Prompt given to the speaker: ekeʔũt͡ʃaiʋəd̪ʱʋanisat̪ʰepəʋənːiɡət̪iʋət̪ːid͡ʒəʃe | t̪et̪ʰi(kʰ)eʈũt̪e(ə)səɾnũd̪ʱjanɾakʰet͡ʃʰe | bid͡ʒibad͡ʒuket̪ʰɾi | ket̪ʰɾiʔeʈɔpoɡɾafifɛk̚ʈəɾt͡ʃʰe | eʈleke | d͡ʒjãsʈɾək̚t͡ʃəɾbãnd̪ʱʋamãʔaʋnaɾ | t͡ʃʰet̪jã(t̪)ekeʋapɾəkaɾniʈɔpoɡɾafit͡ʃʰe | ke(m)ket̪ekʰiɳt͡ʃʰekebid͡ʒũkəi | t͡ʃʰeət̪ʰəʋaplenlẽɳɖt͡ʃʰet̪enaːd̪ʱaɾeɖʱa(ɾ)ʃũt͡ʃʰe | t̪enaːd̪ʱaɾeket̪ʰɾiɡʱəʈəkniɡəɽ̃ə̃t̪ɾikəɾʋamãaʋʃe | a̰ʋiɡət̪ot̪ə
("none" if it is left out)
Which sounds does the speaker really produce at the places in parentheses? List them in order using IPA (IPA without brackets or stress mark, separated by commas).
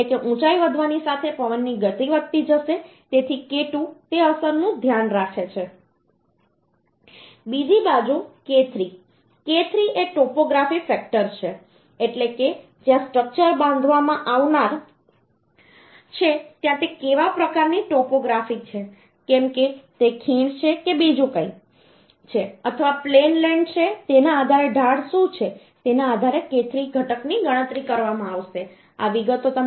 k, ə, t̪, m, ɽ